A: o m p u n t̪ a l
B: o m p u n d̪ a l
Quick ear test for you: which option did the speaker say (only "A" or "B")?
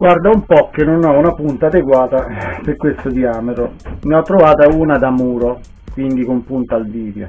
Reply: A